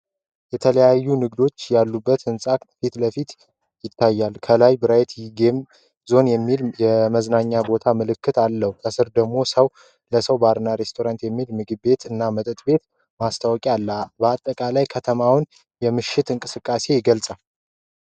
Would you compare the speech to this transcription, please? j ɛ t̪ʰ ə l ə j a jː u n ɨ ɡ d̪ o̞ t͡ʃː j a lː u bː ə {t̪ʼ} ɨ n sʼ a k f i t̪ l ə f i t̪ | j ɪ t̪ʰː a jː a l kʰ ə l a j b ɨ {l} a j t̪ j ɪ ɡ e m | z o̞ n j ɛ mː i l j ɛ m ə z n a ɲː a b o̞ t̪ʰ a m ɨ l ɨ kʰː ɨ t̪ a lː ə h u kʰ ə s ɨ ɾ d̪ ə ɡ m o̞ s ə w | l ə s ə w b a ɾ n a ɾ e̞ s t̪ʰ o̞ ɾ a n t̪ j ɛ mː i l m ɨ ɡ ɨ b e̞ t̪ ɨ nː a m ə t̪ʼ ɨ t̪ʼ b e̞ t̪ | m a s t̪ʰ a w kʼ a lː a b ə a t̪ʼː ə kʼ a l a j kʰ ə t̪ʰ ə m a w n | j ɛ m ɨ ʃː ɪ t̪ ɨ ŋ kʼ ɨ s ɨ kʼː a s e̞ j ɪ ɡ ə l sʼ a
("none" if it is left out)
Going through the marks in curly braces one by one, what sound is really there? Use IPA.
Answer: t̪, ɾ

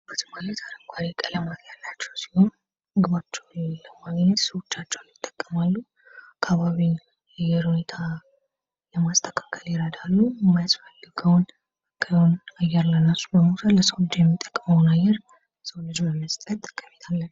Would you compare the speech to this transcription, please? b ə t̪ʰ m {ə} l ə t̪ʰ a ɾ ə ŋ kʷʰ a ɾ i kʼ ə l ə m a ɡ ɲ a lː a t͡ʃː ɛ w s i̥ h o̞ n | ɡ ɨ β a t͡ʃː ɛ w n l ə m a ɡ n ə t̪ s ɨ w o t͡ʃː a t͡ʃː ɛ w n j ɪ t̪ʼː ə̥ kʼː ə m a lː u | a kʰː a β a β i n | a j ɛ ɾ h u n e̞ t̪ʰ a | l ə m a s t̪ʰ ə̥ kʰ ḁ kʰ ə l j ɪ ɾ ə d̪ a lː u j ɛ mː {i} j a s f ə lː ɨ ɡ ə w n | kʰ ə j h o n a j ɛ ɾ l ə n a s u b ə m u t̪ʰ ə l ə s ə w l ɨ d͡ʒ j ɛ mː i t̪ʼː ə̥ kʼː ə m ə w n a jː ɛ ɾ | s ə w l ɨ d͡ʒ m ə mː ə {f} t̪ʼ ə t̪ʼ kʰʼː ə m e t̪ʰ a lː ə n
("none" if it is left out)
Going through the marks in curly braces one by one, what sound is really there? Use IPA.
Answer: a, a, s

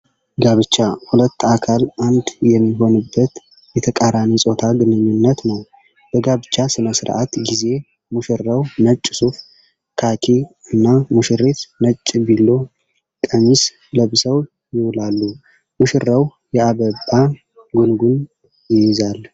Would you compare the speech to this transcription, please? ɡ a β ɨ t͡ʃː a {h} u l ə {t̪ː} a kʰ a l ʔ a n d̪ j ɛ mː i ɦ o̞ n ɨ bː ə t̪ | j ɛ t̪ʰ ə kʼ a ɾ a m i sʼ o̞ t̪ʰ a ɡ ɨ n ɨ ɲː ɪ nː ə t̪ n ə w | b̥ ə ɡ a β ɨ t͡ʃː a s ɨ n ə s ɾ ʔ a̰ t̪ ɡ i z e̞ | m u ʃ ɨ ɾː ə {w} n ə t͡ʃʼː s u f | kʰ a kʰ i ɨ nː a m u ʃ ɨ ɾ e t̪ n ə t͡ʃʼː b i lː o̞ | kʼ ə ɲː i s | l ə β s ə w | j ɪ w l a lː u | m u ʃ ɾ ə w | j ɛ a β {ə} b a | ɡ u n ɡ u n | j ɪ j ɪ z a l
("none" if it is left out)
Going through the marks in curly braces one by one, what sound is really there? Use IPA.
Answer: h, t̪ː, w, ə

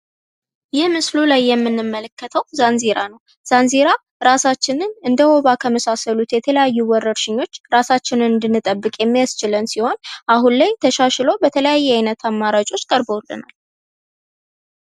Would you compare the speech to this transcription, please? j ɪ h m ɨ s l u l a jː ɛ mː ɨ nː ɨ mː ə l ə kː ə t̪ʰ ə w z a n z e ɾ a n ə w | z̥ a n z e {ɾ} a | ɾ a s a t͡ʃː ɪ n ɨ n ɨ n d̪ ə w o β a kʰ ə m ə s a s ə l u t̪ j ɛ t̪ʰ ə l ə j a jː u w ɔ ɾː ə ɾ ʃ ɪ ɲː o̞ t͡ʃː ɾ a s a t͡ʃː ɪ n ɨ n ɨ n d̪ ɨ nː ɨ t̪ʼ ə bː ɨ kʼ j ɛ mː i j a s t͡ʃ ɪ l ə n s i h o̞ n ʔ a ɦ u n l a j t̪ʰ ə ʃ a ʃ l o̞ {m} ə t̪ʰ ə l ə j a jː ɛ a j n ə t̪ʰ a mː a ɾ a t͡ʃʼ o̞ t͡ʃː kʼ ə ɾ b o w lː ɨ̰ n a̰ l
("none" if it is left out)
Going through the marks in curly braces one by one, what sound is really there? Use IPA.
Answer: ɾ, b

